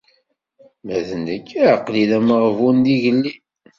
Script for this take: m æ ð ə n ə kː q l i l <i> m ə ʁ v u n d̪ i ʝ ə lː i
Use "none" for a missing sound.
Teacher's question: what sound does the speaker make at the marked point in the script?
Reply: æ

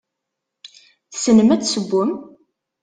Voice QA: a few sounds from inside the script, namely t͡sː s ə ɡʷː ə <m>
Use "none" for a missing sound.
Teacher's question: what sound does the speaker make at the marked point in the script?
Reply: m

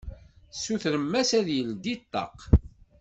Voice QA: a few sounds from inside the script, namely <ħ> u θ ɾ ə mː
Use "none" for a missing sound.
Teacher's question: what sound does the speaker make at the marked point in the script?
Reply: s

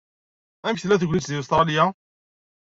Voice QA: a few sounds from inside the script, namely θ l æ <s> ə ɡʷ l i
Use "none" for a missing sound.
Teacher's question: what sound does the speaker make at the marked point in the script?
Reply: θ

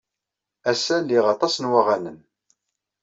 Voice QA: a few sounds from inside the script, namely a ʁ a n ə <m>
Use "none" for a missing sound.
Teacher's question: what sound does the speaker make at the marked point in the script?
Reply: n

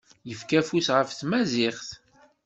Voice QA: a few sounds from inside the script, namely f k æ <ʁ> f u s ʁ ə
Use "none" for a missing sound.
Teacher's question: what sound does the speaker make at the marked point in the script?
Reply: none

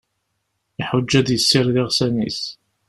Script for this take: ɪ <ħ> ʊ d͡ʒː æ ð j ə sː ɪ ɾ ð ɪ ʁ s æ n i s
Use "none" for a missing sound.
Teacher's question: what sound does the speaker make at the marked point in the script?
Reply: ħ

